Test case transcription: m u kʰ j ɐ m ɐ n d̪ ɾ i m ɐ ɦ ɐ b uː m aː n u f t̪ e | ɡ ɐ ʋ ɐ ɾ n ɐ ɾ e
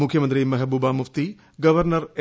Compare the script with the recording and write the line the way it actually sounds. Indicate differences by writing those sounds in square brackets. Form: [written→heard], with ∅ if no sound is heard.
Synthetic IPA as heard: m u kʰ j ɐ m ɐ n [d̪→t̪] ɾ i m ɐ ɦ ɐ b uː [m→b] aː [n→m] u f t̪ [e→i] | ɡ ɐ ʋ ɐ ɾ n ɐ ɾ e